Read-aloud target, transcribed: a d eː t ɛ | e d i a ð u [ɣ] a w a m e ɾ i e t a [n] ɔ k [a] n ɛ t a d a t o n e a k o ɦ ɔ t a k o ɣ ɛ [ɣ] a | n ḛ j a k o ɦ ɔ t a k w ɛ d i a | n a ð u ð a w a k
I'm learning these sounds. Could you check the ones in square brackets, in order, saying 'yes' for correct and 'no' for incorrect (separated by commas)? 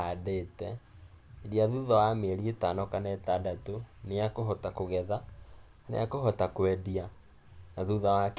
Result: no, yes, yes, no